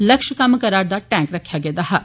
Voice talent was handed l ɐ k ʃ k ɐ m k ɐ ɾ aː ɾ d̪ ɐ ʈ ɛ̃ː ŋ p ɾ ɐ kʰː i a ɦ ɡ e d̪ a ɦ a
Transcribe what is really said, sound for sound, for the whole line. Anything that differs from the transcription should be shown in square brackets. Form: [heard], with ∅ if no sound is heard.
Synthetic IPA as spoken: l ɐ k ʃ k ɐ m k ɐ ɾ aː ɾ d̪ [a] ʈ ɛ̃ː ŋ [k] ɾ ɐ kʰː [j] a [∅] ɡ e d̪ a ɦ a